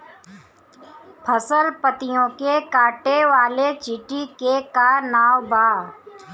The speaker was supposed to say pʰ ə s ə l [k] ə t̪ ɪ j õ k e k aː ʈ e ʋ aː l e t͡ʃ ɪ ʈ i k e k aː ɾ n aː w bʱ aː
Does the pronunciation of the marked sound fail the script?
yes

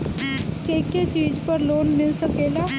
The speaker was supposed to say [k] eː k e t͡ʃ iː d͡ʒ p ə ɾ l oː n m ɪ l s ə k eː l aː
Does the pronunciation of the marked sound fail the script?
no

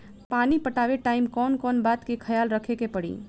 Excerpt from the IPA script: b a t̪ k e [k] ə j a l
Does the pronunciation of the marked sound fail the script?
yes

